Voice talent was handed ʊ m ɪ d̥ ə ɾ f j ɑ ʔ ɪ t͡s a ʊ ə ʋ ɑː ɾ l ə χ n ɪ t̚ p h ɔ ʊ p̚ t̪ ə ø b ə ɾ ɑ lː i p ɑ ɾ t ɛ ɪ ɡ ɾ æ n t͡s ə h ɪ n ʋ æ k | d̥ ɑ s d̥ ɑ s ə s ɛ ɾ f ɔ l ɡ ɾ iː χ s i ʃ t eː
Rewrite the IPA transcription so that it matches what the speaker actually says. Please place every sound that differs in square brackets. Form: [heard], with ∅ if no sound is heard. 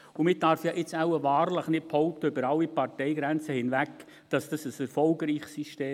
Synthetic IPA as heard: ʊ m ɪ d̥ [ɑ] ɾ f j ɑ ʔ ɪ t͡s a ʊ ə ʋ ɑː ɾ l ə χ n ɪ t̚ p h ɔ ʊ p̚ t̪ ə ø b ə ɾ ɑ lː i p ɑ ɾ t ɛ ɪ ɡ ɾ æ n t͡s ə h ɪ n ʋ æ k | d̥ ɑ s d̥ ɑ s ə s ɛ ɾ f ɔ l ɡ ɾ iː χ s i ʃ t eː